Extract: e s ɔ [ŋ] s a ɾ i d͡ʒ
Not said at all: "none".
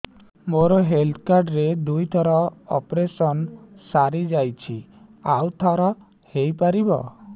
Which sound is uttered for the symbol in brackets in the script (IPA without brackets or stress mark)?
n